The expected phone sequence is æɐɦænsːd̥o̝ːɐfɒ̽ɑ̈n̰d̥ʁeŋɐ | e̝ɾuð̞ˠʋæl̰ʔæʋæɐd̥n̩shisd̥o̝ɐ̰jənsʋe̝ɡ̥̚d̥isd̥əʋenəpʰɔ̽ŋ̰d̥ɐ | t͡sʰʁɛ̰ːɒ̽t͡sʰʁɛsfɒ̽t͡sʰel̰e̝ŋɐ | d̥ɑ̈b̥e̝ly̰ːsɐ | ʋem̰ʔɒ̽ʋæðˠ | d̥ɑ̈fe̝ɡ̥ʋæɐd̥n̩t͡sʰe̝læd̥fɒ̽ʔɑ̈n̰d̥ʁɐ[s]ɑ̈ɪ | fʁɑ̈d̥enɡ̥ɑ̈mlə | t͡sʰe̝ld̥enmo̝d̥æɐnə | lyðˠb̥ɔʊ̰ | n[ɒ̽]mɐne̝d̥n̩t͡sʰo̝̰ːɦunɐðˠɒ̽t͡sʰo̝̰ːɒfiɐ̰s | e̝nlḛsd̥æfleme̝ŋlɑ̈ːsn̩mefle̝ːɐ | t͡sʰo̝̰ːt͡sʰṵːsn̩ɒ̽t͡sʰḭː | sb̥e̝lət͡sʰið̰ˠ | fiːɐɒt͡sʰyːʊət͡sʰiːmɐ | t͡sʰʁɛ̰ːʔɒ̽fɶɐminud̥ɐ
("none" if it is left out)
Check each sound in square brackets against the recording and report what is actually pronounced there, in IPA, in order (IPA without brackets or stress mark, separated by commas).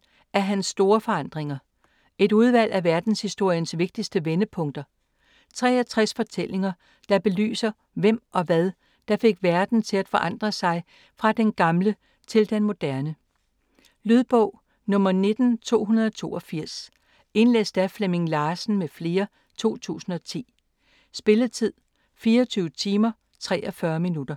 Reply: s, ɔ̽